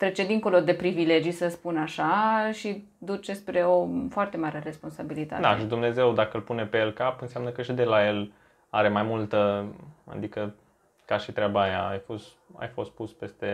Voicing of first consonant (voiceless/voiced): voiceless